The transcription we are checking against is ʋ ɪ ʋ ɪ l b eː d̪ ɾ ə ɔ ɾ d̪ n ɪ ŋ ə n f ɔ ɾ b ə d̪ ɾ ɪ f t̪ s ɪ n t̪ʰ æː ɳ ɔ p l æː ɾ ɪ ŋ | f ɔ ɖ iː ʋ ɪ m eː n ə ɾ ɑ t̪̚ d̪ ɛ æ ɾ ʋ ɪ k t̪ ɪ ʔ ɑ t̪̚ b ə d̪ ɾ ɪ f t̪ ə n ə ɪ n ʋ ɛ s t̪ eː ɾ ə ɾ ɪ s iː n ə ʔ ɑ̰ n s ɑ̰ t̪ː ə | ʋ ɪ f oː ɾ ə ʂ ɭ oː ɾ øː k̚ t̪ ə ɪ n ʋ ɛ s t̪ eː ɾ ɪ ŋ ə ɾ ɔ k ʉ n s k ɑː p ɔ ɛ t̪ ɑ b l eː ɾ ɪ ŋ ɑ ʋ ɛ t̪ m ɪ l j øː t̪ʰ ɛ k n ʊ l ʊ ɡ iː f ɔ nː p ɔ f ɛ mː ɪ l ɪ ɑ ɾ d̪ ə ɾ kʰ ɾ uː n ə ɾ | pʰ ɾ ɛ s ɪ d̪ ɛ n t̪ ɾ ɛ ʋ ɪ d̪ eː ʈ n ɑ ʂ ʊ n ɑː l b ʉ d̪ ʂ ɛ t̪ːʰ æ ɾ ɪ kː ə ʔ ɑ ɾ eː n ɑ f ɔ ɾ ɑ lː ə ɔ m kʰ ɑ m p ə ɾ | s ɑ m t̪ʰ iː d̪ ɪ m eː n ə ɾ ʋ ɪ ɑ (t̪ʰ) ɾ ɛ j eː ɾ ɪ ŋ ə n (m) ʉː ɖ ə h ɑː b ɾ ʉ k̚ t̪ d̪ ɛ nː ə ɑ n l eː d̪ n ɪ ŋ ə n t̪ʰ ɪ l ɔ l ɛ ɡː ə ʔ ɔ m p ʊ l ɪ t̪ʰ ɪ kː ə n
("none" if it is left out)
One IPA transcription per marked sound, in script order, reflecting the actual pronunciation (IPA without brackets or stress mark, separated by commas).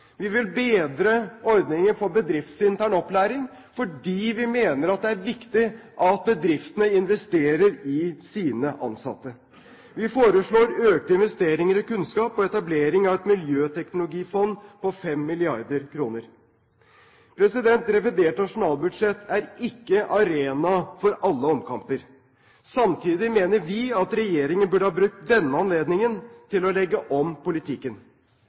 t̪, b